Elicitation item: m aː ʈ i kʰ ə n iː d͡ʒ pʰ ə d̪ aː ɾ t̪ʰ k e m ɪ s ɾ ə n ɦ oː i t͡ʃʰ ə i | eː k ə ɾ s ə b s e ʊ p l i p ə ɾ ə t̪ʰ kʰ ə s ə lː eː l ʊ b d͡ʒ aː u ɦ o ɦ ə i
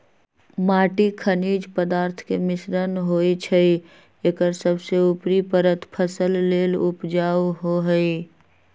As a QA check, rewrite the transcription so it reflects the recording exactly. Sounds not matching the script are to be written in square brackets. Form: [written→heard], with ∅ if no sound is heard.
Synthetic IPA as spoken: m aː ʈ i kʰ ə n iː d͡ʒ [pʰ→p] ə d̪ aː ɾ t̪ʰ k e m ɪ s ɾ ə n ɦ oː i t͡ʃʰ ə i | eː k ə ɾ s ə b s e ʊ p [l→ɾ] i p ə ɾ ə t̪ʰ [kʰ→pʰ] ə s ə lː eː l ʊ [b→p] d͡ʒ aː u ɦ o ɦ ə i